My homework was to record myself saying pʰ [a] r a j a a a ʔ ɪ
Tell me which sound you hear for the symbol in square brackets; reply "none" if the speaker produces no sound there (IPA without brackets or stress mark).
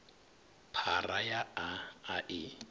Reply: a